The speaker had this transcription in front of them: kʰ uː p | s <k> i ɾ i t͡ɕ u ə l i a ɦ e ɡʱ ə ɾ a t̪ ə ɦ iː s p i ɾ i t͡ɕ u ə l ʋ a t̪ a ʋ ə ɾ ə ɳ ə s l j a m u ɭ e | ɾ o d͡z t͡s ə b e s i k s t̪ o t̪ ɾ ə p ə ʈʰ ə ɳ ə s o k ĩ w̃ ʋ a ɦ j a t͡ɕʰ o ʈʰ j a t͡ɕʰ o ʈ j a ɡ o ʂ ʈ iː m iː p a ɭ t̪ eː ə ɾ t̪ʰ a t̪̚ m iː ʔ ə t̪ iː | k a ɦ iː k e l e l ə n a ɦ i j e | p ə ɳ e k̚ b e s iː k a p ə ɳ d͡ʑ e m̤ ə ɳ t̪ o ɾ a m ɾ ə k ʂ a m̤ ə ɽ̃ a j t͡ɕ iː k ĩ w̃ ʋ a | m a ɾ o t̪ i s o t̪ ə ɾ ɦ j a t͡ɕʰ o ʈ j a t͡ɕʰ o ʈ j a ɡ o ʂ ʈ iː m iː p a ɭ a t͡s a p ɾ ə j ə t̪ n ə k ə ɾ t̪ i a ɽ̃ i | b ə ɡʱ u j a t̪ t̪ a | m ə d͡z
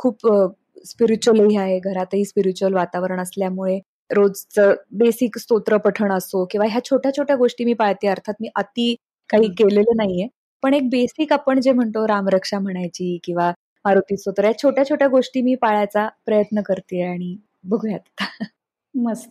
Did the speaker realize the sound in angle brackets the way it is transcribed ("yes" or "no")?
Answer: no